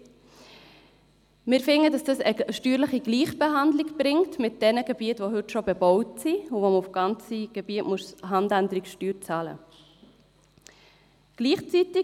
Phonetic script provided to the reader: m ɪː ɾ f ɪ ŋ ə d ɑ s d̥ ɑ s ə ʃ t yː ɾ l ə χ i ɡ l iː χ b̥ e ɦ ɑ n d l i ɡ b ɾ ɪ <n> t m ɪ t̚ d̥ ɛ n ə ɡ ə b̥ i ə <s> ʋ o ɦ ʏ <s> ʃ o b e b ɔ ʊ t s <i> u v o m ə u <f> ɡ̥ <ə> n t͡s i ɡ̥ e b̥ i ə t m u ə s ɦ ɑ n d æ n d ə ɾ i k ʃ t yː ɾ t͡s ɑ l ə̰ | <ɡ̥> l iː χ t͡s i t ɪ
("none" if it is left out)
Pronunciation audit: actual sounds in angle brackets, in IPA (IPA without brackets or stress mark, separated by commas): ŋ, t, t, i, f, ɑ, ɡ̥